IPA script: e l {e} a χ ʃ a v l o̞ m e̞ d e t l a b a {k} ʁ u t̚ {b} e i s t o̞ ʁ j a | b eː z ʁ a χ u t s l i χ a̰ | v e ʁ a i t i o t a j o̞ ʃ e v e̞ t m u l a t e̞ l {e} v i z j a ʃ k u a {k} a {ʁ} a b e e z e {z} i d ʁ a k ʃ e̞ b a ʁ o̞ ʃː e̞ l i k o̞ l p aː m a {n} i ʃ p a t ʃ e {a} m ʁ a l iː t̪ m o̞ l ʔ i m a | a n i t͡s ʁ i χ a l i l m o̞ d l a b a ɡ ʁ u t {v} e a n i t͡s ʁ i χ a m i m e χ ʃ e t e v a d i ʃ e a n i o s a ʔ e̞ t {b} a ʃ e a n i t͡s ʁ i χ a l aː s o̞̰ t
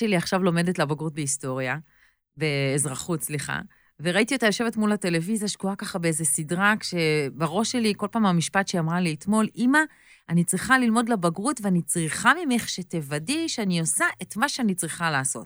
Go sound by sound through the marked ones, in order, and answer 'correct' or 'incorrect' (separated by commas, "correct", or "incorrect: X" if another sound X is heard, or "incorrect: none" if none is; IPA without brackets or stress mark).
incorrect: i, incorrect: ɡ, correct, correct, correct, incorrect: χ, incorrect: s, incorrect: m, correct, correct, incorrect: m